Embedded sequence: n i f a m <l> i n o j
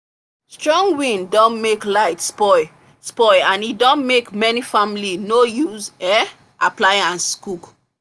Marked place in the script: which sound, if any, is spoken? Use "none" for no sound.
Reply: l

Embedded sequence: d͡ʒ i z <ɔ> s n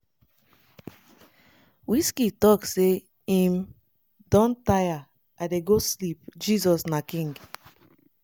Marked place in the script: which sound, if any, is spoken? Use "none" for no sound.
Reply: ɔ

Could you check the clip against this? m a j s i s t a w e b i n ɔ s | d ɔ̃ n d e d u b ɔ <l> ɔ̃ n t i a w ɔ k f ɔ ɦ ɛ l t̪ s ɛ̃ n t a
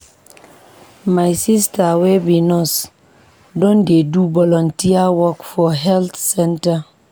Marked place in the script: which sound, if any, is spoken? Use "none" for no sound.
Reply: l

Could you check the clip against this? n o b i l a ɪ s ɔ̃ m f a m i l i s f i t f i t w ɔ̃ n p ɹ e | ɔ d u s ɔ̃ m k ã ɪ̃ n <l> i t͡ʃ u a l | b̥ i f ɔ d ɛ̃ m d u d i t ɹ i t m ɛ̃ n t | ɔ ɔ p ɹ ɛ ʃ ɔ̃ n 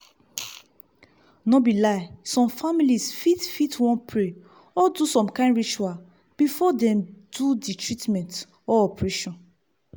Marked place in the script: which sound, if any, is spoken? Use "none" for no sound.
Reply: ɹ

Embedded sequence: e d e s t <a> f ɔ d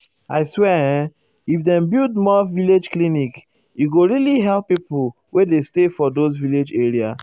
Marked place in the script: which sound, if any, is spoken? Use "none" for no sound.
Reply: e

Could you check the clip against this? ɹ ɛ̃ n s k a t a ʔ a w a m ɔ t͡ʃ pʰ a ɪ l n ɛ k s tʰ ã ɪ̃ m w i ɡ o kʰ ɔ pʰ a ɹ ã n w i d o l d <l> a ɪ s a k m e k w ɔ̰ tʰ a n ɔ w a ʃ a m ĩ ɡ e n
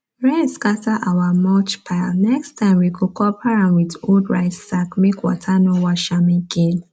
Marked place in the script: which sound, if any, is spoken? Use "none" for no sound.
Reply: ɹ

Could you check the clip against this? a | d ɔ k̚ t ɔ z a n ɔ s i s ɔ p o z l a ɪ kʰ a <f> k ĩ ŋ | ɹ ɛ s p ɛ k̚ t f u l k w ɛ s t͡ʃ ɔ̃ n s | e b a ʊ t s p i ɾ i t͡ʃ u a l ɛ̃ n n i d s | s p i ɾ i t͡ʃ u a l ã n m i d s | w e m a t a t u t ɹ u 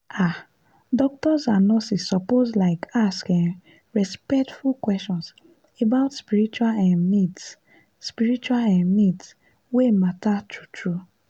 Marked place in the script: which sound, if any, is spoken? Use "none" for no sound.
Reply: s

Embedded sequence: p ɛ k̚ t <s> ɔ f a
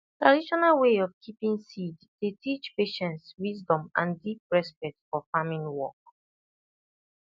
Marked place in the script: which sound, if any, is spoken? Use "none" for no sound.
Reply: f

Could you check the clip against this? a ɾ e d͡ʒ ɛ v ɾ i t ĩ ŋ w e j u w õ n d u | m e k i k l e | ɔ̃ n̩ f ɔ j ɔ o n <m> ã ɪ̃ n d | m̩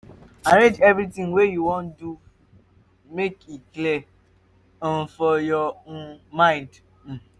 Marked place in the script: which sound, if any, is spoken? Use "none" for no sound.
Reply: m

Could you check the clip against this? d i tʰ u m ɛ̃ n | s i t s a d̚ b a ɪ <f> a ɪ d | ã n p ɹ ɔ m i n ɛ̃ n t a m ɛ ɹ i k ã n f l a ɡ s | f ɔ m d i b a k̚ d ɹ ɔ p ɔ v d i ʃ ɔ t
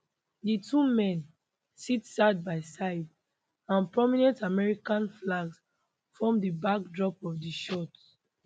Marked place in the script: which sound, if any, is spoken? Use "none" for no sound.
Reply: s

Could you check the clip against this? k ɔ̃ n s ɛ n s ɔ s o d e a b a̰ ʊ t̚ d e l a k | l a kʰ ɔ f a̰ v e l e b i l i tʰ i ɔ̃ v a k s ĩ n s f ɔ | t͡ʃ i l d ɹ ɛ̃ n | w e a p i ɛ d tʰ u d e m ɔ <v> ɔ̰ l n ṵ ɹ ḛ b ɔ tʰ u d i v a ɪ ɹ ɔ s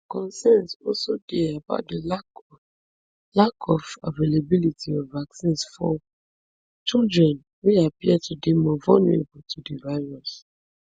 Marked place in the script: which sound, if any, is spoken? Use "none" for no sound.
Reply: v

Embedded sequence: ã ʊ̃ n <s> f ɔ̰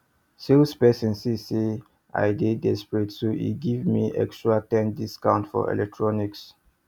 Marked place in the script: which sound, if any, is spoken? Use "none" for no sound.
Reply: t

